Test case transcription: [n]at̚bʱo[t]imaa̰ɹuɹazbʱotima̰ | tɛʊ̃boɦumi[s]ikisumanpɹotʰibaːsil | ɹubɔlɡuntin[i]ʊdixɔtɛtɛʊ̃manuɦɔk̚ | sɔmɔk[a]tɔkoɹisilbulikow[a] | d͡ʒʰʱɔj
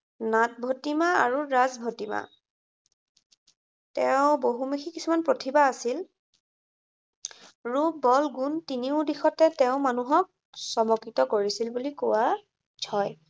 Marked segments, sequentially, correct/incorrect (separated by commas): correct, correct, incorrect, correct, incorrect, correct